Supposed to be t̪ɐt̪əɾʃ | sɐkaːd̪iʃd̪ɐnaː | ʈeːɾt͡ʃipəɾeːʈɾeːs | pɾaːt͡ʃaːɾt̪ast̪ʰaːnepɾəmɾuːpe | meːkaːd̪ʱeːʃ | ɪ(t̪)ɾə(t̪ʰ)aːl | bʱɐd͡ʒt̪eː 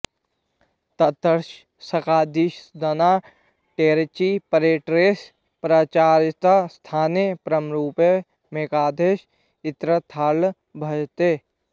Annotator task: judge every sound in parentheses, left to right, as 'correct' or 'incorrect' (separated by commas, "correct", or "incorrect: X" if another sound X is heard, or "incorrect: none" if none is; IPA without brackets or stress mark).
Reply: correct, correct